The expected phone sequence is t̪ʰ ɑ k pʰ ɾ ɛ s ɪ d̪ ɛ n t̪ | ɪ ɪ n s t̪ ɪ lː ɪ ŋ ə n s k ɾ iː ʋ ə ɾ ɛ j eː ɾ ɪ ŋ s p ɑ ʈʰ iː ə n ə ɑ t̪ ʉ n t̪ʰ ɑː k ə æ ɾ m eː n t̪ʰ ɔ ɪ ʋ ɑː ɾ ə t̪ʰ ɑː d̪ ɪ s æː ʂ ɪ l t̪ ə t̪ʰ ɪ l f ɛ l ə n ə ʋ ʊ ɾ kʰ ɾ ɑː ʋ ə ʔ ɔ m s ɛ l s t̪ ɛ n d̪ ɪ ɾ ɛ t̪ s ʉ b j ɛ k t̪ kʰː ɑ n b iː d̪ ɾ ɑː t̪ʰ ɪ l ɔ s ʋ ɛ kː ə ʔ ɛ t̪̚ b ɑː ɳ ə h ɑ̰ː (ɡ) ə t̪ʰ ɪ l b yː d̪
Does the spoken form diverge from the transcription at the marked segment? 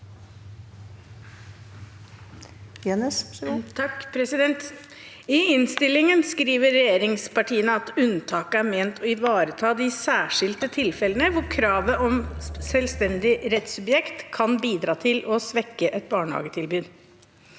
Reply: no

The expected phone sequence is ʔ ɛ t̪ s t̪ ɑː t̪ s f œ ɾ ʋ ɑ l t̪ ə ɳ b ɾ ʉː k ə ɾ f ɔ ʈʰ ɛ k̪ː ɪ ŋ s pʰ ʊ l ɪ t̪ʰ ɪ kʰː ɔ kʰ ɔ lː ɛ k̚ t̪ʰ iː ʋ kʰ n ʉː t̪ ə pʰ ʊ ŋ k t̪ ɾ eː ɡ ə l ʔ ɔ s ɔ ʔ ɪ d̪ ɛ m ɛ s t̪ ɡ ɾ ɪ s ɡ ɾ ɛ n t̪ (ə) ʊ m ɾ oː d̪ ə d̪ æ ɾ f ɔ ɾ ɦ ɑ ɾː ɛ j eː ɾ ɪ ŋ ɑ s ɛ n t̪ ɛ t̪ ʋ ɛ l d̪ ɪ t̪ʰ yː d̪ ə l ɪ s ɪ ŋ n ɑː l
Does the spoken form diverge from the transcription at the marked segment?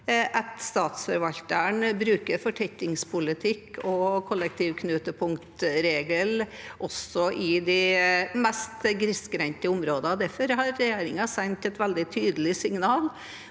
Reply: no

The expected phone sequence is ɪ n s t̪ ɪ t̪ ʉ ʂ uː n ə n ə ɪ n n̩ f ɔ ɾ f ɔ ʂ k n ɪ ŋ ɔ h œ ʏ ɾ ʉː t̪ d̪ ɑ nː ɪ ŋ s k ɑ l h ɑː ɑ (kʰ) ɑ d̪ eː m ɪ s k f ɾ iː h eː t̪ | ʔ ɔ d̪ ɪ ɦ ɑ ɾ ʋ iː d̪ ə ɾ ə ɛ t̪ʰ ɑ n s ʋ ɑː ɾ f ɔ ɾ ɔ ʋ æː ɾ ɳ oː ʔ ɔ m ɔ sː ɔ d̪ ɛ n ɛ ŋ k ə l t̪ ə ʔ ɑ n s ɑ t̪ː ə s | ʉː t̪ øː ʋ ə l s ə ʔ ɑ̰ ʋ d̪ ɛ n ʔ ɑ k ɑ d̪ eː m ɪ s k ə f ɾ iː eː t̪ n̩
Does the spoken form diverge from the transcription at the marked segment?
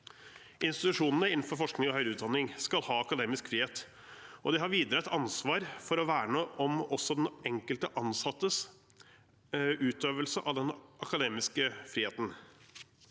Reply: yes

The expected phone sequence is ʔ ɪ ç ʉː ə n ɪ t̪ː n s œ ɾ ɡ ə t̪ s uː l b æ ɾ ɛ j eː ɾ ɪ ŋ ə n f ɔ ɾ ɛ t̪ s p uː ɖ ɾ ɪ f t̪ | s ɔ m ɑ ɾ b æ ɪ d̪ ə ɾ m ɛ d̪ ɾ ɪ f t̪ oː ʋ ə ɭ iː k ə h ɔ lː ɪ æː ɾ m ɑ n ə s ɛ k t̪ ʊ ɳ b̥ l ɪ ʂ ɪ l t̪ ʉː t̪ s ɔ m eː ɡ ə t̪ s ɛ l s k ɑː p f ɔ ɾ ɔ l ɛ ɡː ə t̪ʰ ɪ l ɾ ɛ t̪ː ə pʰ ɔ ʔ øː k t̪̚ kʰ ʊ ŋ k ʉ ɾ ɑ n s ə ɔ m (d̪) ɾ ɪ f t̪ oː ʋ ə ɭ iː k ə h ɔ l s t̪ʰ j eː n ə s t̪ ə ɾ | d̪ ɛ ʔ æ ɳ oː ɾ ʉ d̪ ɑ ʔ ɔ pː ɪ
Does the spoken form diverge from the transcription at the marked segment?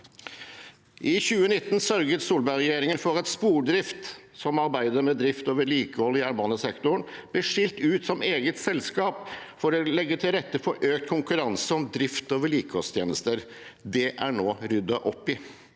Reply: no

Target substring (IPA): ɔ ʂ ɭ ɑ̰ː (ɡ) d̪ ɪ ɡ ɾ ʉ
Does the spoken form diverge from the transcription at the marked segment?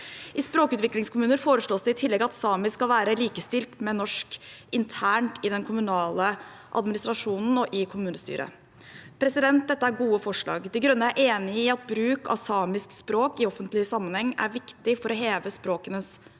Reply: no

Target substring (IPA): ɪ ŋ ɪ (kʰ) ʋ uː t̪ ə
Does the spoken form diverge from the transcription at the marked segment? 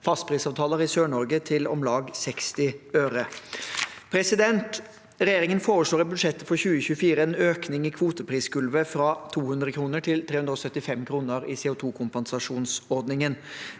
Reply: no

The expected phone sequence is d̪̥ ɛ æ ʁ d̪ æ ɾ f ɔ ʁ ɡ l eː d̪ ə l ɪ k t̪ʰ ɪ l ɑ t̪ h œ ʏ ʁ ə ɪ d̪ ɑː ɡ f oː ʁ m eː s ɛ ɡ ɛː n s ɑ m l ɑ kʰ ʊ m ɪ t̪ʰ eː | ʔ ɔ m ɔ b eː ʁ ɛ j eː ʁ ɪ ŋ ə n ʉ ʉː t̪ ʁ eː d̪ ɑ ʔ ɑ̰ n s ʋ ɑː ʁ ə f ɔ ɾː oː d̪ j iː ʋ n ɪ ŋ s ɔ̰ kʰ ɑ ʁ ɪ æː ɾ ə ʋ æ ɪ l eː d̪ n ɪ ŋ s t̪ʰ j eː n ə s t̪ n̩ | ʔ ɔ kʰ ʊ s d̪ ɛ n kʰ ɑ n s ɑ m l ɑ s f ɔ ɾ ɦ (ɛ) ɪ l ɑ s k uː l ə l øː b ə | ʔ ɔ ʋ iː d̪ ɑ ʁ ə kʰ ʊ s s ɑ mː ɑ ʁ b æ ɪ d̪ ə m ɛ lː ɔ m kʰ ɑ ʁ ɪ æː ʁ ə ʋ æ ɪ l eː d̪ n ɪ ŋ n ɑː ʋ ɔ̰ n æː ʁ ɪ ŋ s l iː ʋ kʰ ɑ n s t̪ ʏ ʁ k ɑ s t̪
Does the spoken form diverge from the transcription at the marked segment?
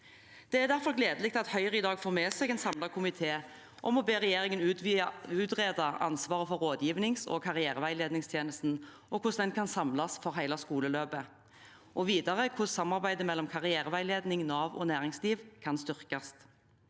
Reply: yes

